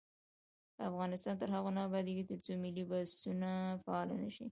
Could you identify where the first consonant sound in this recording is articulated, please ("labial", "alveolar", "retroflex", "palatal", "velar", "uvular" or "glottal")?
labial